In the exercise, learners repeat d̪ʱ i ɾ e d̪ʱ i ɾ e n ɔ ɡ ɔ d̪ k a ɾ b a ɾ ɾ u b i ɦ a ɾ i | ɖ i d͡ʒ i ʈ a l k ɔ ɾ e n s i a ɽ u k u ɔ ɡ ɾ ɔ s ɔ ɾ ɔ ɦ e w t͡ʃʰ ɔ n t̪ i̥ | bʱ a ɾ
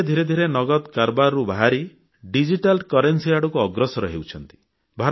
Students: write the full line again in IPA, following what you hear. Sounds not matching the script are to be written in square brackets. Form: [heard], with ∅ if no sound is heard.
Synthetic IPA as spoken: d̪ʱ i ɾ e d̪ʱ i ɾ e n ɔ ɡ ɔ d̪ k a ɾ b a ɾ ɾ u b [a] ɦ a ɾ i | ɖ i d͡ʒ i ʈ a l k ɔ ɾ e n s i a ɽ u k u ɔ ɡ ɾ ɔ s ɔ ɾ ɔ ɦ e w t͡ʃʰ ɔ n t̪ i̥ | bʱ a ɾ